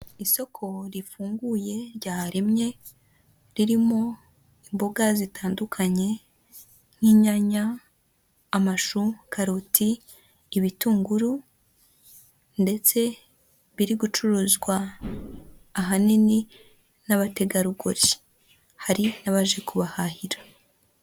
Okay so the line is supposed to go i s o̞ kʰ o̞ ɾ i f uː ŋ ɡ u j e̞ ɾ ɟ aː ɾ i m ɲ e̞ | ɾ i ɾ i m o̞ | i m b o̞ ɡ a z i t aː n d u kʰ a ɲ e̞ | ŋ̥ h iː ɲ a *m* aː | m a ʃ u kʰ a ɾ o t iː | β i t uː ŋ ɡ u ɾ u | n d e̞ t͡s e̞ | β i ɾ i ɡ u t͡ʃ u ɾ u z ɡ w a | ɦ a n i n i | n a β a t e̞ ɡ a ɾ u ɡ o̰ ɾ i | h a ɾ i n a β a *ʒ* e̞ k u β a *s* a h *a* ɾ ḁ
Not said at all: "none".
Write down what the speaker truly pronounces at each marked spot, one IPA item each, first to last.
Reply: ɲ, ʒ, h, i

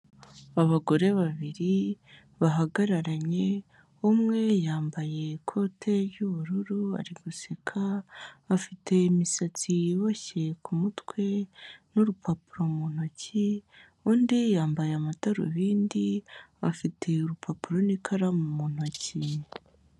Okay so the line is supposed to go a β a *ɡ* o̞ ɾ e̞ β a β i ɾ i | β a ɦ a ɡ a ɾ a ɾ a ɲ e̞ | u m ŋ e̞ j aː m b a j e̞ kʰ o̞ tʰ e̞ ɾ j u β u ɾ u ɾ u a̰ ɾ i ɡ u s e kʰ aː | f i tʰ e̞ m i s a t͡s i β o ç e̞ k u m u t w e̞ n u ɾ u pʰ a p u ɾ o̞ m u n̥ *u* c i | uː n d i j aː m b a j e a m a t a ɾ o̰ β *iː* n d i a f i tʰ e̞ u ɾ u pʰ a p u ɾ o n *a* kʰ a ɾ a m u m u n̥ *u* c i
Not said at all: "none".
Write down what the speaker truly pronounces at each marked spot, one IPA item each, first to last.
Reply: ɡ, o, iː, i, o

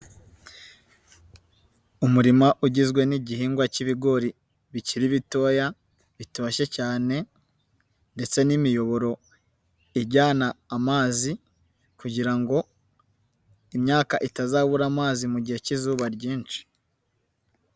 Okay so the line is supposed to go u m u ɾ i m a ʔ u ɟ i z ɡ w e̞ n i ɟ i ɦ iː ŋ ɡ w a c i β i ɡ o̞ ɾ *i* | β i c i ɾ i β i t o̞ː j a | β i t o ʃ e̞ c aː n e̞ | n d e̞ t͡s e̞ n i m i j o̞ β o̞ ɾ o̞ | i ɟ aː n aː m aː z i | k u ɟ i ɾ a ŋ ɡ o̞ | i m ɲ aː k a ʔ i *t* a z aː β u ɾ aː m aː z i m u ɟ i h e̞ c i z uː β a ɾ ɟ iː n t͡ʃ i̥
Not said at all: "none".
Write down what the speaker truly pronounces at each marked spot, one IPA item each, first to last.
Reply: i, t

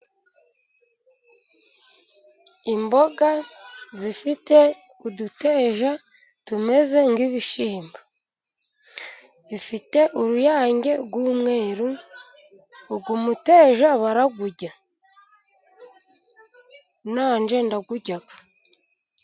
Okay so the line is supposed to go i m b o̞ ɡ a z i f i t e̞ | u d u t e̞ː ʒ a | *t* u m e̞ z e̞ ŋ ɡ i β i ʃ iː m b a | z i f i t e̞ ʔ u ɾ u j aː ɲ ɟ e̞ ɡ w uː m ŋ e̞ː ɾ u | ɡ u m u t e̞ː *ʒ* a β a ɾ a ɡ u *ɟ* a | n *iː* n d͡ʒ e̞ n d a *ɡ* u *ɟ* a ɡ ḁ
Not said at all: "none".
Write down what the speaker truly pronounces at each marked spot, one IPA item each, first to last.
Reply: t, ʒ, ɟ, aː, ɡ, ɟ

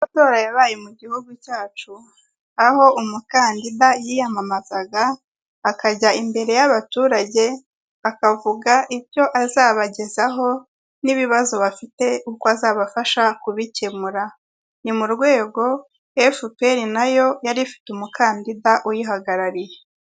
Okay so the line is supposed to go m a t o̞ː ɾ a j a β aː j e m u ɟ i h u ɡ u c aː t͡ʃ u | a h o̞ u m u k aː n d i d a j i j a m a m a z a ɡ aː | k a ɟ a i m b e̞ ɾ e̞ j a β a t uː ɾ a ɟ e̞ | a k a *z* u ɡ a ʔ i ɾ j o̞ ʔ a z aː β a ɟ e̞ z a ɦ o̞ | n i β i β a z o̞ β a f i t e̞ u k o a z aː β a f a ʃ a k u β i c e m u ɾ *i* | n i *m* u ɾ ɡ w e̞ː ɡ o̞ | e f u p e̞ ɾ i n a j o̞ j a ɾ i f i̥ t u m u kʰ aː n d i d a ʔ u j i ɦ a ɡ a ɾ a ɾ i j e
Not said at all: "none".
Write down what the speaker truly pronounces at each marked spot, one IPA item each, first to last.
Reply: v, a, m

